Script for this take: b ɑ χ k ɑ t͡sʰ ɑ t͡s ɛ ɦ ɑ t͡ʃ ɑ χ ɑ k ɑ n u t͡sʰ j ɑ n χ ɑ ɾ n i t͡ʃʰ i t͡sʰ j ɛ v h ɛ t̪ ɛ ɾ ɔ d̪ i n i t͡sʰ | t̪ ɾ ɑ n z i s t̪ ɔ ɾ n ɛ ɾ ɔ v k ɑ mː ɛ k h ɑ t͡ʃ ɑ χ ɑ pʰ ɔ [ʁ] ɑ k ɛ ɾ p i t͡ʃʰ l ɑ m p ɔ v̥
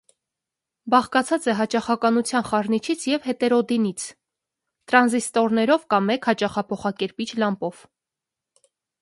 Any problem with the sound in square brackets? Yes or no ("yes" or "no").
yes